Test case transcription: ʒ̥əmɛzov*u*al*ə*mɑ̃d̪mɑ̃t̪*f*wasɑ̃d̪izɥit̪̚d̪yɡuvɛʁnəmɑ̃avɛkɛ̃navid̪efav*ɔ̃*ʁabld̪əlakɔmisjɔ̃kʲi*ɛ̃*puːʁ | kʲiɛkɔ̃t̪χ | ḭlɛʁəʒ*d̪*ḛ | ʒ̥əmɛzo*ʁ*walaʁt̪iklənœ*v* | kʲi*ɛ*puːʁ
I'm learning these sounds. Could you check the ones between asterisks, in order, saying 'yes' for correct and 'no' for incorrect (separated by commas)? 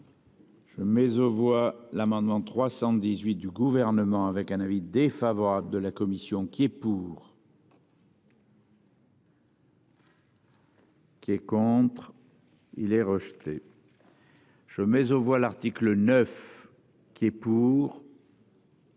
no, no, no, no, no, no, no, no, yes